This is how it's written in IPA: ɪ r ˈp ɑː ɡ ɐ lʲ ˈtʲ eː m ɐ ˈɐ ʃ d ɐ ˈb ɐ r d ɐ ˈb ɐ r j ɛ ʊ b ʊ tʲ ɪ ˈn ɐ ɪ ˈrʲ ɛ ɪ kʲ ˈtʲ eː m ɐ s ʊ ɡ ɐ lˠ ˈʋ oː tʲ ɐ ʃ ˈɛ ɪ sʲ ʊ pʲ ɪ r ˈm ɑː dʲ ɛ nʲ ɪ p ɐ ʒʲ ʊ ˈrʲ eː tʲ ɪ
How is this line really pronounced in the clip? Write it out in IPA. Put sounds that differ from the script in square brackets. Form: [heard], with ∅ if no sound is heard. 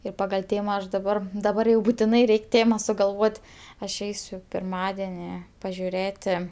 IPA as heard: ɪ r ˈp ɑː ɡ ɐ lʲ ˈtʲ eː m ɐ ˈɐ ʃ d ɐ ˈb ɐ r d ɐ ˈb ɐ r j ɛ ʊ b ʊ tʲ ɪ ˈn ɐ ɪ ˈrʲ ɛ ɪ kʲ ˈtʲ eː m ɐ s ʊ ɡ ɐ lˠ ˈʋ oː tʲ ɐ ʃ ˈɛ ɪ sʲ ʊ pʲ ɪ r ˈm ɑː dʲ ɛ nʲ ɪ p ɐ ʒʲ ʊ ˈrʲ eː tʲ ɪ